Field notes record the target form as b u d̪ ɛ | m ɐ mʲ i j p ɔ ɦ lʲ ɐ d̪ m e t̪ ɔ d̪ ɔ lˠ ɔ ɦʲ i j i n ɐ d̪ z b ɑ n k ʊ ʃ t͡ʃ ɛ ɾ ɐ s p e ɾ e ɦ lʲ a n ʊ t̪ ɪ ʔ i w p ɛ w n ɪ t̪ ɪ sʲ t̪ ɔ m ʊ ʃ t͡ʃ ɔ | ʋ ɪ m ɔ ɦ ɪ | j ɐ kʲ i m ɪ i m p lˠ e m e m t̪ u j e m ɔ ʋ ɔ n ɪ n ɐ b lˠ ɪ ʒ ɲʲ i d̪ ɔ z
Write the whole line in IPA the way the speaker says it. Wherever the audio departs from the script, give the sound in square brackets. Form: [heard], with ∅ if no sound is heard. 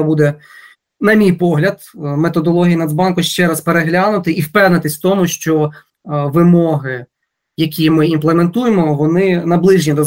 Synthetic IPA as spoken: b u d̪ ɛ | [n] ɐ mʲ i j p ɔ ɦ lʲ ɐ d̪ m e t̪ ɔ d̪ ɔ lˠ ɔ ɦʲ i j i n ɐ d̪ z b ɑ n k ʊ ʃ t͡ʃ ɛ ɾ ɐ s p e ɾ e ɦ lʲ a n ʊ t̪ ɪ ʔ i w p ɛ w n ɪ t̪ ɪ sʲ t̪ ɔ m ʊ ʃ t͡ʃ ɔ | ʋ ɪ m ɔ ɦ ɪ | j ɐ kʲ i m ɪ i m p lˠ e m e [n] t̪ u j e m ɔ ʋ ɔ n ɪ n ɐ b lˠ ɪ ʒ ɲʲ i d̪ ɔ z